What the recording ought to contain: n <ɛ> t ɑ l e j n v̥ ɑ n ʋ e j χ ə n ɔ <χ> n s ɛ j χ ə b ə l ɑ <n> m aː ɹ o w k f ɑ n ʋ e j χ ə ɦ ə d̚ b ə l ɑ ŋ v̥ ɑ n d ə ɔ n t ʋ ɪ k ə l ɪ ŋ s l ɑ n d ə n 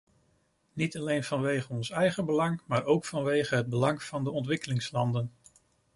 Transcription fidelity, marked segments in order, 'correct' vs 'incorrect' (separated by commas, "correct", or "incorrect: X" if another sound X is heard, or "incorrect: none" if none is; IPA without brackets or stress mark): incorrect: i, incorrect: none, incorrect: ŋ